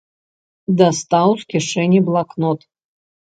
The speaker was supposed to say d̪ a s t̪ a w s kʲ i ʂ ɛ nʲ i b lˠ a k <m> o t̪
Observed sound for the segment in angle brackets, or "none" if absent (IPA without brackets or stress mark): n